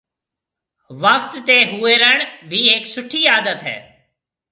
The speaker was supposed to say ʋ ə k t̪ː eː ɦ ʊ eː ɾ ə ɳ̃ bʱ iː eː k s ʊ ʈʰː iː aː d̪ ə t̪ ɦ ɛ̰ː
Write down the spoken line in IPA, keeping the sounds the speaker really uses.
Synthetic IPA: ʋ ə k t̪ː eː ɦ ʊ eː ɾ ə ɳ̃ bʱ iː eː k s ʊ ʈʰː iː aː d̪ ə t̪ ɦ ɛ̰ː